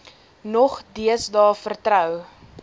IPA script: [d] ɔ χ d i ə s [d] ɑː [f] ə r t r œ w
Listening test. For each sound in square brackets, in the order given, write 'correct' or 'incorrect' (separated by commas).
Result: incorrect, correct, correct